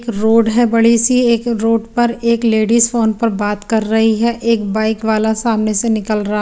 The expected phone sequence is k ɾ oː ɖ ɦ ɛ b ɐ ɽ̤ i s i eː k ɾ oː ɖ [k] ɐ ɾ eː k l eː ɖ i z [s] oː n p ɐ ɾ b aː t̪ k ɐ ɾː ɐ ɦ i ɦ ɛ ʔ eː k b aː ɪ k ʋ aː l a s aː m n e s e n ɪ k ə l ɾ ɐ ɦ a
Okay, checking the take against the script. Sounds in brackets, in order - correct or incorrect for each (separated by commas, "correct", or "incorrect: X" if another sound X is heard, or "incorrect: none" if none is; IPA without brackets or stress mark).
incorrect: p, incorrect: f